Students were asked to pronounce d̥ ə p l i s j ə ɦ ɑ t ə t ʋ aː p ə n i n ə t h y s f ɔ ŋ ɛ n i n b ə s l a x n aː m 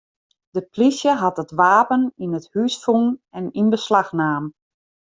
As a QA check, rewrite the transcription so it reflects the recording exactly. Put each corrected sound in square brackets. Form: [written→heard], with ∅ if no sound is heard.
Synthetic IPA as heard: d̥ ə p l i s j ə ɦ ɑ t ə t ʋ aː p ə n i n ə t h y s f [ɔ→u] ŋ ɛ n i n b ə s l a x n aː m

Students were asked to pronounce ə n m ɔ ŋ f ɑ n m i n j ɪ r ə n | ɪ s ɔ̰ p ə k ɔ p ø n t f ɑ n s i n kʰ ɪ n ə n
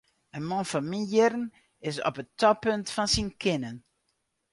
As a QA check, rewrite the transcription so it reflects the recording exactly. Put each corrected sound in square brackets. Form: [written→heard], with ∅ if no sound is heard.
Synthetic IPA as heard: ə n m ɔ [ŋ→n] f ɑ n m i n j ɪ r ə n | ɪ s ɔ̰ p ə [k→t] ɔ p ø n t f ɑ n s i n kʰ ɪ n ə n

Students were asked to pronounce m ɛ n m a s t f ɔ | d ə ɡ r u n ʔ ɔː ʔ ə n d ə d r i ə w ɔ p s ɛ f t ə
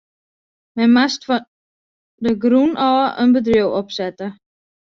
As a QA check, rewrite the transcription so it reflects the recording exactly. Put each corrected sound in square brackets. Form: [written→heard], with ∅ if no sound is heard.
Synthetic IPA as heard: m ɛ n m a s t f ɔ | d ə ɡ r u n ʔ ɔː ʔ ə n [d→b] ə d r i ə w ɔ p s ɛ [f→∅] t ə

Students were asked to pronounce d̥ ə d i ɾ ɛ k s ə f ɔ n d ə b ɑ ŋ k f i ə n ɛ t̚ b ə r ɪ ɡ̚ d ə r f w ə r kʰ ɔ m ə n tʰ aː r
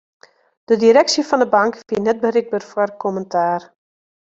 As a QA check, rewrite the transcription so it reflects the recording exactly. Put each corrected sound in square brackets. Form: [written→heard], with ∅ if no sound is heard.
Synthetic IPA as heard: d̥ ə d i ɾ ɛ k s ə f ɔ n d ə b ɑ ŋ k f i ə n ɛ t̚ b ə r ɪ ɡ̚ [d→b] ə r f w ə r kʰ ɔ m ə n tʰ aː r

